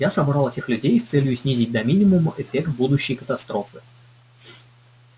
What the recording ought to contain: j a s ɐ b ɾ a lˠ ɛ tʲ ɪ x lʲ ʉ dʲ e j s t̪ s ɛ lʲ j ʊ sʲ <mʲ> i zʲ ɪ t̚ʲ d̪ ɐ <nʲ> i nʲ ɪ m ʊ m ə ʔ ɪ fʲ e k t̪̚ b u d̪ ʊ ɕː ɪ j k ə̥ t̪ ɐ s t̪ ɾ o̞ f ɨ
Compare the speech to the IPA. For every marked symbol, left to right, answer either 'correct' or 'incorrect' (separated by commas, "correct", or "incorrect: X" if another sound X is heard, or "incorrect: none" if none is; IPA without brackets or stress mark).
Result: incorrect: nʲ, incorrect: mʲ